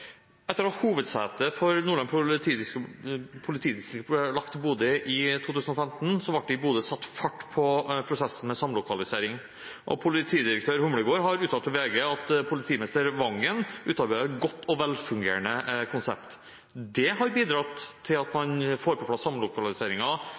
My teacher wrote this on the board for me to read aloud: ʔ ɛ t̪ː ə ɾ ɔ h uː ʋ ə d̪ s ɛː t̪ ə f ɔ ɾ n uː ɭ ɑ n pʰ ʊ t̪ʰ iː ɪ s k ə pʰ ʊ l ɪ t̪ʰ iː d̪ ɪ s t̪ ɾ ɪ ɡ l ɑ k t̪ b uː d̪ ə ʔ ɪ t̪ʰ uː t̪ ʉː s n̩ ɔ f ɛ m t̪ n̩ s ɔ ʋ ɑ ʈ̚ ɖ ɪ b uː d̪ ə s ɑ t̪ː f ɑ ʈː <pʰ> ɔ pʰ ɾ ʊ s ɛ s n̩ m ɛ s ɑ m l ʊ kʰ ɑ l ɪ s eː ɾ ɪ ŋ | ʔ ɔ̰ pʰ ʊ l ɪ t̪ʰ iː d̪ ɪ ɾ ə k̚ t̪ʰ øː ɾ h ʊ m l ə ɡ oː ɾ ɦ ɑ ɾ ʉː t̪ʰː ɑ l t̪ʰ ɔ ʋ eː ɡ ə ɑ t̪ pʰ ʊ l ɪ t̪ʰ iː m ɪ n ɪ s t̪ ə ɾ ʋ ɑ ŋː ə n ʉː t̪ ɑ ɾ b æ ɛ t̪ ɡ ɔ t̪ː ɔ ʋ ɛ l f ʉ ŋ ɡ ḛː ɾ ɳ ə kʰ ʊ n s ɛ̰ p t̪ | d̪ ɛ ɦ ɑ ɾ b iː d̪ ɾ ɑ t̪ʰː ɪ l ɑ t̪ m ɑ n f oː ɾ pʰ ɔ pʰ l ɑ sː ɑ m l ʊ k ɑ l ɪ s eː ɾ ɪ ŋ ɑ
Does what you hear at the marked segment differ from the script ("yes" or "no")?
no